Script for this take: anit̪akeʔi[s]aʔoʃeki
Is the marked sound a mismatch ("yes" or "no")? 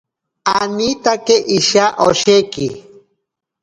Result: yes